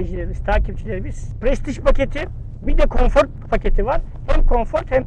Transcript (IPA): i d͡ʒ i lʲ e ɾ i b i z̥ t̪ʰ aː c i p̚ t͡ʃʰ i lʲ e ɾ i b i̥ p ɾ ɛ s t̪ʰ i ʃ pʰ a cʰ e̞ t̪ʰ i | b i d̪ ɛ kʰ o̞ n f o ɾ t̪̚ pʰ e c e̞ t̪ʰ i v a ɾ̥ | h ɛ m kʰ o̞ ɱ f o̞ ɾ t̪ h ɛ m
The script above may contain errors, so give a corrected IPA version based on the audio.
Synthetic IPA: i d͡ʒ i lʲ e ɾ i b i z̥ t̪ʰ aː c i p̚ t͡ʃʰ i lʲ e ɾ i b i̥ p ɾ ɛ s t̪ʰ i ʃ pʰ a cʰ e̞ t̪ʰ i | b i d̪ ɛ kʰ o̞ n f o ɾ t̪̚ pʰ a c e̞ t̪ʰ i v a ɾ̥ | h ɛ m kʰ o̞ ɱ f o̞ ɾ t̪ h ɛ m